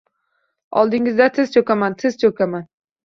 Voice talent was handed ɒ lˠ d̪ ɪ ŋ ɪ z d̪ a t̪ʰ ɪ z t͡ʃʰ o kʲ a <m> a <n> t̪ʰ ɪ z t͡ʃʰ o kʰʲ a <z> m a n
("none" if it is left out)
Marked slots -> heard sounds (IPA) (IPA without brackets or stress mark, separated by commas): m, n, none